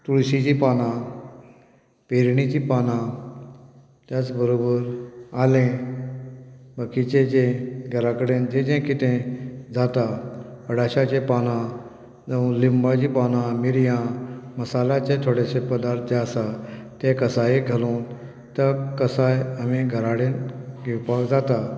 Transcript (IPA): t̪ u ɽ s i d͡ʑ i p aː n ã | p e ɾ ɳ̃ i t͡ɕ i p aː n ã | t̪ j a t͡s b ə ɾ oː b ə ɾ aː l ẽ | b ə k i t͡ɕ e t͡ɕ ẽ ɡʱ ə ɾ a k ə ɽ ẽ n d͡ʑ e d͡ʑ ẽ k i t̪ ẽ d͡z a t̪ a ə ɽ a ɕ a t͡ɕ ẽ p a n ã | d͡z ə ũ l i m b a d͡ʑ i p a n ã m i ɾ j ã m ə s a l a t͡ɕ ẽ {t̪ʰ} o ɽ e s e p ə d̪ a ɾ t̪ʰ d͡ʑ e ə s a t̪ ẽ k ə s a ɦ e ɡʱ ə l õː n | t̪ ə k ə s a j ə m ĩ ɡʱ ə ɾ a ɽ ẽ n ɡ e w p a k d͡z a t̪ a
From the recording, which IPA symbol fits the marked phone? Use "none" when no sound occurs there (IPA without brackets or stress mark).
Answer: t̪ʰ